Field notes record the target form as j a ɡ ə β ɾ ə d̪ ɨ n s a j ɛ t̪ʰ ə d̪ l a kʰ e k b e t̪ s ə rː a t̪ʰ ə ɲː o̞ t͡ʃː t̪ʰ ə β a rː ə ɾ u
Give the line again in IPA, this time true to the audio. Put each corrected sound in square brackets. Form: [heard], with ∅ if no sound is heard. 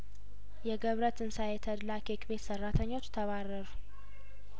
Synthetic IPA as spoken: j [ɛ] ɡ ə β ɾ ə [t̪] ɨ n s a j ɛ t̪ʰ ə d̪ l a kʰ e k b e t̪ s ə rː a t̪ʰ ə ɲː o̞ t͡ʃː t̪ʰ ə β a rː ə ɾ u

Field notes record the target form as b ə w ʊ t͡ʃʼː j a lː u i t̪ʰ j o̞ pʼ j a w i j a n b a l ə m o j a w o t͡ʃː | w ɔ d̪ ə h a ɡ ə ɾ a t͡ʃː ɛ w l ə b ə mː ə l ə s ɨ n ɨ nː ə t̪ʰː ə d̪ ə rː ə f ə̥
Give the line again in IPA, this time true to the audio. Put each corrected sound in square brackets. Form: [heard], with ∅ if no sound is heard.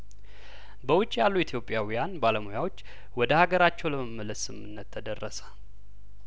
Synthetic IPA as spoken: b ə w ʊ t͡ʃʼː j a lː u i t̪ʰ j o̞ pʼ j a w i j a n b a l ə m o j a w o t͡ʃː | w ɔ d̪ ə h a ɡ ə ɾ a t͡ʃː ɛ w l ə [m] ə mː ə l ə s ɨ [m] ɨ nː ə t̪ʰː ə d̪ ə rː ə [s] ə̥

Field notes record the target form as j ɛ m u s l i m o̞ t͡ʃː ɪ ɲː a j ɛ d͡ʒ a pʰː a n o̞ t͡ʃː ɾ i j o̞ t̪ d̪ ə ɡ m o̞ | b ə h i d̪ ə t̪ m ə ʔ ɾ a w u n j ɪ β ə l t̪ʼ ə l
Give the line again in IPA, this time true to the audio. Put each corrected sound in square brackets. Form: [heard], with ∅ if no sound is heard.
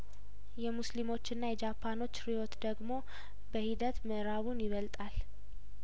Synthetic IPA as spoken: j ɛ m u s l i m o̞ t͡ʃː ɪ [nː] a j ɛ d͡ʒ a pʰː a n o̞ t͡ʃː ɾ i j o̞ t̪ d̪ ə ɡ m o̞ | b ə h i d̪ ə t̪ m ə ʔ ɾ a [β] u n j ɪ β ə l t̪ʼ [a] l

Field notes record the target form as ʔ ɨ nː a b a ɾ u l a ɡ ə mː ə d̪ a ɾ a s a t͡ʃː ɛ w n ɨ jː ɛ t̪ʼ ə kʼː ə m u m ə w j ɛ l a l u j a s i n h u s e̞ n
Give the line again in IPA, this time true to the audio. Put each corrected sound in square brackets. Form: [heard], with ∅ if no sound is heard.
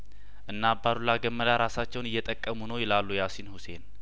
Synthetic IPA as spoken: ʔ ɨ nː a b a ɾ u l a ɡ ə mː ə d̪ a ɾ a s a t͡ʃː ɛ w n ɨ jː ɛ t̪ʼ ə kʼː ə m u [n] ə w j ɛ l a [lː] u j a s i n h u s e̞ n

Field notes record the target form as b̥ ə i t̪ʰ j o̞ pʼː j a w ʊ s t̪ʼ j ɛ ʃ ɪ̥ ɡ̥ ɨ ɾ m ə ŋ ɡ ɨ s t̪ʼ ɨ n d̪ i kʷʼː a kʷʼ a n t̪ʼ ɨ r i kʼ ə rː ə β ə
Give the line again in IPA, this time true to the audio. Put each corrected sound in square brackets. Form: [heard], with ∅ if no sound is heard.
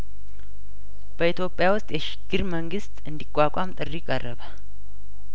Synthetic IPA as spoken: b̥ ə i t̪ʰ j o̞ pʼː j a w ʊ s t̪ʼ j ɛ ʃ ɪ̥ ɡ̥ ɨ ɾ m ə ŋ ɡ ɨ s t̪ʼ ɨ n d̪ i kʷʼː a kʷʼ a [m] t̪ʼ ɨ r i kʼ ə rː ə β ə

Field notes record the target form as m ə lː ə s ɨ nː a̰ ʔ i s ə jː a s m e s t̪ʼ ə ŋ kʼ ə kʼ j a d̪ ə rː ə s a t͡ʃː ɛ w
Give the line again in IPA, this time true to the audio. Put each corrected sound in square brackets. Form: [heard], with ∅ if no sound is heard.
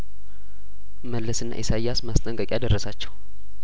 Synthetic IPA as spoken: m ə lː ə s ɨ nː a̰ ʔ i s [a] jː a s m [a] s t̪ʼ ə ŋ kʼ ə kʼ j a d̪ ə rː ə s a t͡ʃː ɛ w

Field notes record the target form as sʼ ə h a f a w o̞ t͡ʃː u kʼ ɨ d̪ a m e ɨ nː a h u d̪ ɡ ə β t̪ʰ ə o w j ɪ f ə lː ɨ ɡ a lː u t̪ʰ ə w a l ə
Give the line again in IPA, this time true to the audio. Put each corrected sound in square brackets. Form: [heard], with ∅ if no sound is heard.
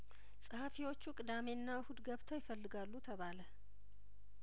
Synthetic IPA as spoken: sʼ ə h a f [i] w o̞ t͡ʃː u kʼ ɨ d̪ a m e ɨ nː a h u d̪ ɡ ə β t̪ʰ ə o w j ɪ f ə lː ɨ ɡ a lː u t̪ʰ ə [β] a l ə

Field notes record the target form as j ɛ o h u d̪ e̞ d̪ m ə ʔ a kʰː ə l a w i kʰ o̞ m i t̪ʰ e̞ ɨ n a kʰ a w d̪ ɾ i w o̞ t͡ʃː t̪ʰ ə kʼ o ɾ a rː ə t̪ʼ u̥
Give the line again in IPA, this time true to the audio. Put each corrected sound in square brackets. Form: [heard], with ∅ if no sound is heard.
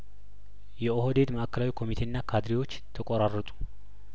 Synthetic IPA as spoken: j ɛ o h [o] d̪ e̞ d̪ m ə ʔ a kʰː ə l a w i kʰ o̞ m i t̪ʰ e̞ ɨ [nː] a kʰ a [∅] d̪ ɾ i w o̞ t͡ʃː t̪ʰ ə kʼ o ɾ a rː ə t̪ʼ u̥

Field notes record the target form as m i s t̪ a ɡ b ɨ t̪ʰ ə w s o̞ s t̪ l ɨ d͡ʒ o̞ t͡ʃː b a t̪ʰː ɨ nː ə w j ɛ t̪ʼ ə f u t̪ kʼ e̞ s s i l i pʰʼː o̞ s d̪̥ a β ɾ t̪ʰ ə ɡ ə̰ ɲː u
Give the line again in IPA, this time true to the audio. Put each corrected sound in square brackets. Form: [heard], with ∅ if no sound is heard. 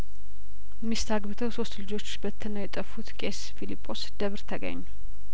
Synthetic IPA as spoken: m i s t̪ a ɡ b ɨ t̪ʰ ə w s o̞ s t̪ l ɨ d͡ʒ o̞ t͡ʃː b [ə] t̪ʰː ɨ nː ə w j ɛ t̪ʼ ə f u t̪ kʼ e̞ s [f] i l i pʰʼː o̞ s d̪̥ [ə] β ɾ t̪ʰ ə ɡ ə̰ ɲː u

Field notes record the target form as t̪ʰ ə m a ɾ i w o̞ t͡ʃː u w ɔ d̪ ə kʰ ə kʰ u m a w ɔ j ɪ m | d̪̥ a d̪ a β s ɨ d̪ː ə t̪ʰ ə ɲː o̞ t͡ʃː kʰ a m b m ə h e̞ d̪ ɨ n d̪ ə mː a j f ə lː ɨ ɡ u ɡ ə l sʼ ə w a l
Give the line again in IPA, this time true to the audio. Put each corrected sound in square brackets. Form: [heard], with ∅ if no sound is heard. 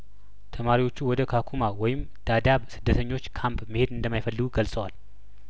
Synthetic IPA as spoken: t̪ʰ ə m a ɾ i w o̞ t͡ʃː u w ɔ d̪ ə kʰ [a] kʰ u m a w ɔ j ɪ m | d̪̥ a d̪ a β s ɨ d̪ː ə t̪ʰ ə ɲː o̞ t͡ʃː kʰ a m [p] m ə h e̞ d̪ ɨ n d̪ ə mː a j f ə lː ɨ ɡ u ɡ ə l sʼ ə w a l

